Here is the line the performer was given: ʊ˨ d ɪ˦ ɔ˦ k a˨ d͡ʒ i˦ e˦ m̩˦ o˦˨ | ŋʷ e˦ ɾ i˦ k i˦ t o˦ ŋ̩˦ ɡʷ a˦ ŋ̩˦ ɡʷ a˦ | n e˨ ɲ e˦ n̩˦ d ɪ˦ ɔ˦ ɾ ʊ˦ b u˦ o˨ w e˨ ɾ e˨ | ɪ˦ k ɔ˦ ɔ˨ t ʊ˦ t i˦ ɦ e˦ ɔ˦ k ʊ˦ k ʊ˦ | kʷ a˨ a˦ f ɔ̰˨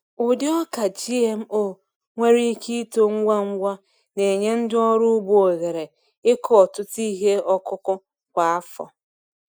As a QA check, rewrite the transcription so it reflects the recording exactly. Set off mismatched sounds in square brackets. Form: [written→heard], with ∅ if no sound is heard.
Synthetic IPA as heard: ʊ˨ d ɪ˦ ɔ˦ k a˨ d͡ʒ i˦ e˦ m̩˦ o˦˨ | ŋʷ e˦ ɾ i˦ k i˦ t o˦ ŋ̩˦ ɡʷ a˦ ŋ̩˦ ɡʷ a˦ | n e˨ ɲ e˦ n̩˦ d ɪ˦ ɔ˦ ɾ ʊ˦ b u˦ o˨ [w→ɣ] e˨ ɾ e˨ | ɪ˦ k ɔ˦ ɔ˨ t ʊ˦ t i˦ ɦ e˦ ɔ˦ k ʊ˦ k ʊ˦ | kʷ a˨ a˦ f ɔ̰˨